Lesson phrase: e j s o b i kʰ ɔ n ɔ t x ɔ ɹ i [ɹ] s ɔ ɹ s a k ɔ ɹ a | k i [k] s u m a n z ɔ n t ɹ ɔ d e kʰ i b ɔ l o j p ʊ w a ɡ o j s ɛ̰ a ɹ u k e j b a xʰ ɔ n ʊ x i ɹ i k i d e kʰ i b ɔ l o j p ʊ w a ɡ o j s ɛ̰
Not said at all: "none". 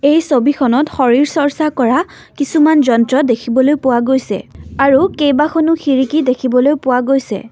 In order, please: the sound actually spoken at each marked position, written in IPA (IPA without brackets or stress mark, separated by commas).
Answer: ɹ, none